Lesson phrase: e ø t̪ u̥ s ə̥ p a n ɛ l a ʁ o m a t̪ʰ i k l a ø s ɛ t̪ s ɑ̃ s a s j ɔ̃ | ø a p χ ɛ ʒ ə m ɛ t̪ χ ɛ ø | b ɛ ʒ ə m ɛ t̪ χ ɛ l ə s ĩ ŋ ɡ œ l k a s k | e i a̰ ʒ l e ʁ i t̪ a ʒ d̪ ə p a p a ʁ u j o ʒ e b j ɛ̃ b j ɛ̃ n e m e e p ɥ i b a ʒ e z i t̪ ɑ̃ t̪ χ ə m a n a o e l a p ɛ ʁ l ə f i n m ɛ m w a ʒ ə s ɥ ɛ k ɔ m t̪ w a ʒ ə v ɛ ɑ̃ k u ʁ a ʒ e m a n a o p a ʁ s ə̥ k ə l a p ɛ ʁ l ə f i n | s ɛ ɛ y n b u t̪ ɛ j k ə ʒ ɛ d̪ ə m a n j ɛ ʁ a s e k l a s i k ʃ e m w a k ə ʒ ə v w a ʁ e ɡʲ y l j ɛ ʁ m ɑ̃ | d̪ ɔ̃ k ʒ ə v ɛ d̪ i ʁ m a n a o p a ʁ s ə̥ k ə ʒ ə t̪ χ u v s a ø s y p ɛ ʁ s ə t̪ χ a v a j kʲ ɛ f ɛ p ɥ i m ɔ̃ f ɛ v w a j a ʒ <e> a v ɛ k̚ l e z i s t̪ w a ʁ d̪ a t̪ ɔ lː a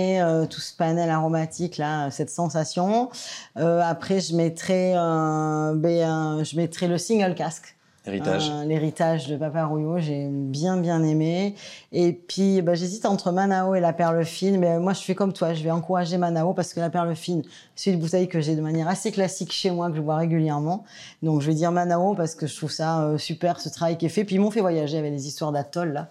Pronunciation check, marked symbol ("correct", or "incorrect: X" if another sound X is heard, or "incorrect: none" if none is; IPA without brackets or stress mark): correct